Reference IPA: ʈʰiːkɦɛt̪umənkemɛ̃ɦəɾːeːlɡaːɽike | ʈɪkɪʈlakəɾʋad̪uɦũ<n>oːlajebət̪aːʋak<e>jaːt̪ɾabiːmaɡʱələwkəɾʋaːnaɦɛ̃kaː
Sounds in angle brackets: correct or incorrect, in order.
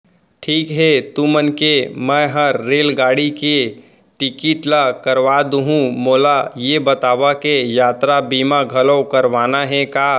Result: incorrect: m, correct

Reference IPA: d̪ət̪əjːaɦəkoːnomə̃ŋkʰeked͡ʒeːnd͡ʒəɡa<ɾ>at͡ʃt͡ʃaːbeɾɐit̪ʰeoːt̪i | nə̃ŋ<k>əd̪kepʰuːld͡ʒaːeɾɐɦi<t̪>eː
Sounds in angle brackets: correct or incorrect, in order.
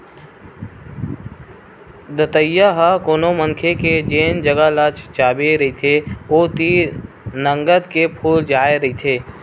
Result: incorrect: l, incorrect: ɡ, incorrect: t̪ʰ

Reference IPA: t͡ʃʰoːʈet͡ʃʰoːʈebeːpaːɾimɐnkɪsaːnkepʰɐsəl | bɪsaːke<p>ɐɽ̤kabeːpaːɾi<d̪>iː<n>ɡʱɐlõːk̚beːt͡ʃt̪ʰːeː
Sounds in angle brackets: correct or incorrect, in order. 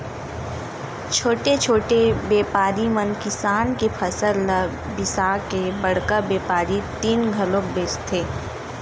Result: incorrect: b, incorrect: t̪, correct

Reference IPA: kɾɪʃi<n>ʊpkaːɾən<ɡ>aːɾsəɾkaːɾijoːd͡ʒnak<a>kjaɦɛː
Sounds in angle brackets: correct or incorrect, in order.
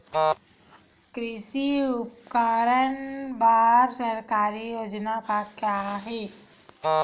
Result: incorrect: none, incorrect: b, correct

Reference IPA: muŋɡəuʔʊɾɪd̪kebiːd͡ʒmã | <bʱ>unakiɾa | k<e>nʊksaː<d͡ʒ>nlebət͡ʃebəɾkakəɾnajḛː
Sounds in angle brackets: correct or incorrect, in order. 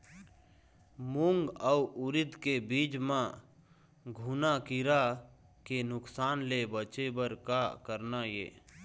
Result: incorrect: ɡʱ, correct, incorrect: none

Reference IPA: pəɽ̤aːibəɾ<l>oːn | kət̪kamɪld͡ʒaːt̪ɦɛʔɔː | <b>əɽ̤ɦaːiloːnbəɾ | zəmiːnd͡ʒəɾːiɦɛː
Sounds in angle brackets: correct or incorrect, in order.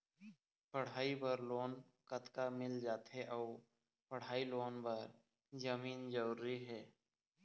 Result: correct, incorrect: p

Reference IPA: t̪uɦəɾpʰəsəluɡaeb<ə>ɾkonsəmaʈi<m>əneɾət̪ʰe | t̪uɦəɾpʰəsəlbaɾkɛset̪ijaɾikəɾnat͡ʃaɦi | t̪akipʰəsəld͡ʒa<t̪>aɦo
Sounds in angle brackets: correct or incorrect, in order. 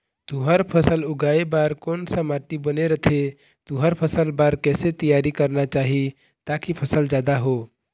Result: incorrect: a, incorrect: b, incorrect: d̪

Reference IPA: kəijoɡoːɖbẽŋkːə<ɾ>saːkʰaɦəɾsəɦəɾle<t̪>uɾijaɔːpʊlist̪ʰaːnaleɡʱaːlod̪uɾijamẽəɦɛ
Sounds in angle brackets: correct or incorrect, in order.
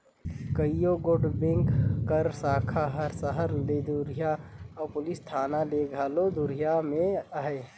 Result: correct, incorrect: d̪

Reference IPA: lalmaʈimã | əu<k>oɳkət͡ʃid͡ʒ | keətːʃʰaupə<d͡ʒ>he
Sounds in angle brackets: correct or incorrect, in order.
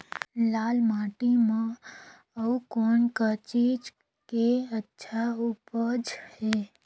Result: correct, correct

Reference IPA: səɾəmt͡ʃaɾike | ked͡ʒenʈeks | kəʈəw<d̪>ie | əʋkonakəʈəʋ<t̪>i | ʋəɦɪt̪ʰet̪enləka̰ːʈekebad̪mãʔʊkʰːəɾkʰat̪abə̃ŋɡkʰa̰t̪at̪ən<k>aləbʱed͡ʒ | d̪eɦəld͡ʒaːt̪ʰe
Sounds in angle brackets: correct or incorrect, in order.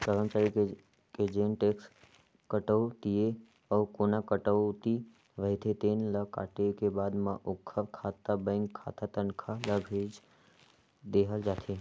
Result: incorrect: t̪, correct, incorrect: kʰ

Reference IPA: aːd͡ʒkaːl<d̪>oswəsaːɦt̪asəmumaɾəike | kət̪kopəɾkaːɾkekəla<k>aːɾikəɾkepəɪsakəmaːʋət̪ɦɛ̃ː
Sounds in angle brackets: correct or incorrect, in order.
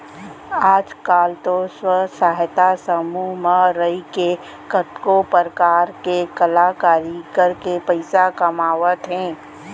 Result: incorrect: t̪, correct

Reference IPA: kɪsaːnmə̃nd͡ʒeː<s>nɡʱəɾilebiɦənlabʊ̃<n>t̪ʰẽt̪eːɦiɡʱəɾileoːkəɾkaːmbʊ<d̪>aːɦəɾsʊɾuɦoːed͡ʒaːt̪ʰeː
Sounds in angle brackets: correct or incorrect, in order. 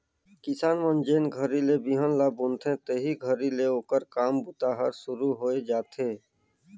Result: incorrect: none, correct, incorrect: t̪

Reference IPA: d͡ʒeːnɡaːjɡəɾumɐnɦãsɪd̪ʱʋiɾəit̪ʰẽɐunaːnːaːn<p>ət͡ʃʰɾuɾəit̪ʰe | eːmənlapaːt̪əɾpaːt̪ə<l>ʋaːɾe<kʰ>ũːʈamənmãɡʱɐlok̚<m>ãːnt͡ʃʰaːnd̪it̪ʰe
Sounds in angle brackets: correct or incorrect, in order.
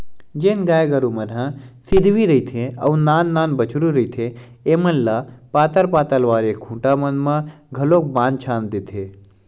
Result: incorrect: b, correct, correct, incorrect: b

